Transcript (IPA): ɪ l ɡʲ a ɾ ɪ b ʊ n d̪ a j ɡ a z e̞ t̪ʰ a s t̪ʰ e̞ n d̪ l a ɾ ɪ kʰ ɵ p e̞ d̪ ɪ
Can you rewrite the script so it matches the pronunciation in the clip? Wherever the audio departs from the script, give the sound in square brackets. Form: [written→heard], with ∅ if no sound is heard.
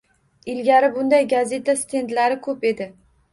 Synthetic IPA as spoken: ɪ l ɡʲ a ɾ ɪ b ʊ n d̪ a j ɡ a z e̞ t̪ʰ a s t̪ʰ e̞ n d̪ l a ɾ ɪ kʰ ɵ p e̞ d̪ ɪ